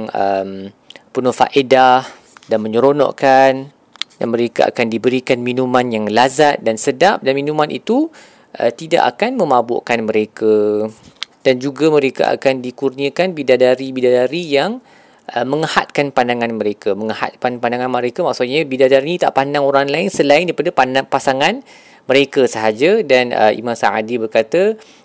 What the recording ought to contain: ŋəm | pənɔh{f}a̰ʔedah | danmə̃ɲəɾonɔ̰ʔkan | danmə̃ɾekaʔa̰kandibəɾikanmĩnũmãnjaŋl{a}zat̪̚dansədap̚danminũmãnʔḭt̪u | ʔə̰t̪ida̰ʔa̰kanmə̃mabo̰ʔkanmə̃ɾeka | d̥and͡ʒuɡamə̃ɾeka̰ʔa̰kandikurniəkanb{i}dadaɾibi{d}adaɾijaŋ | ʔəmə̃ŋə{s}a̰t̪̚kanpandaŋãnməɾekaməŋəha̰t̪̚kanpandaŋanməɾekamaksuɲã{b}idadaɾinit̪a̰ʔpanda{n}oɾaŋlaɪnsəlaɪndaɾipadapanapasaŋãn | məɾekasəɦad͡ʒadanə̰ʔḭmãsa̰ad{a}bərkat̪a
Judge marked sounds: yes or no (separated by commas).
yes, yes, yes, yes, no, yes, no, no